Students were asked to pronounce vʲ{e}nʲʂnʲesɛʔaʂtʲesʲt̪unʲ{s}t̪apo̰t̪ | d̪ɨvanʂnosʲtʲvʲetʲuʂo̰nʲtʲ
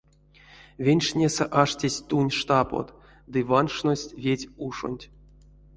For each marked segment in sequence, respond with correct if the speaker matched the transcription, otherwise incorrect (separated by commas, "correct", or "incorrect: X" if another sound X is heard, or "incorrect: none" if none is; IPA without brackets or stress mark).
correct, incorrect: ʂ